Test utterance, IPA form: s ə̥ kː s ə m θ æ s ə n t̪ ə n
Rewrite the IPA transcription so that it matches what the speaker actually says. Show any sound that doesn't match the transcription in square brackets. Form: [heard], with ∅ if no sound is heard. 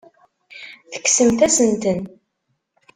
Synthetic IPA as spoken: [θ] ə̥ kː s ə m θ æ s ə n t̪ ə n